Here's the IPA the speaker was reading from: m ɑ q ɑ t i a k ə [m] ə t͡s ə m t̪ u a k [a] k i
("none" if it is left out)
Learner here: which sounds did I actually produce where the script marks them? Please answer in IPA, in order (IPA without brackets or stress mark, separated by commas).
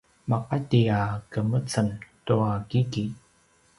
m, i